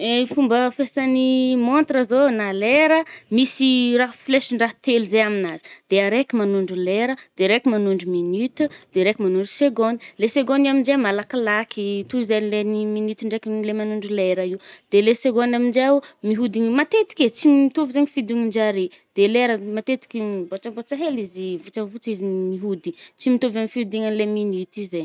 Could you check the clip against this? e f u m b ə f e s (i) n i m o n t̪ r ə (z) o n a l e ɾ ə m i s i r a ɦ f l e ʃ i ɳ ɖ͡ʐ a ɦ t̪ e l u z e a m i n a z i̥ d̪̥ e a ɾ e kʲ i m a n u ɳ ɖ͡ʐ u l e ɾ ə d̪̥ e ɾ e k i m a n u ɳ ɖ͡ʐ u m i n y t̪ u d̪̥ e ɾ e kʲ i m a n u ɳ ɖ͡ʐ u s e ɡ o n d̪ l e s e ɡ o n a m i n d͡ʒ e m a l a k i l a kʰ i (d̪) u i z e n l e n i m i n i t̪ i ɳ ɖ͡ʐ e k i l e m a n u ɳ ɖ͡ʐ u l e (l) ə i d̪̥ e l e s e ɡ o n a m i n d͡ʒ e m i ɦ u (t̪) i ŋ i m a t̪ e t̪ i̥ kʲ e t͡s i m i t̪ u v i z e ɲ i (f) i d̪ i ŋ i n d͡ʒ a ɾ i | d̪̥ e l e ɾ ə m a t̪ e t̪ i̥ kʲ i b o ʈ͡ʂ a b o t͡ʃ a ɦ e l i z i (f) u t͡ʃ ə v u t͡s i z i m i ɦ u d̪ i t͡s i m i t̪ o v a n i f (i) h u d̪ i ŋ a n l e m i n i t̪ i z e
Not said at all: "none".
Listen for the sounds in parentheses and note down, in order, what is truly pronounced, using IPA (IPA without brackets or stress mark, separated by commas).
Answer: a, z, t̪, ɾ, d̪, f, v, i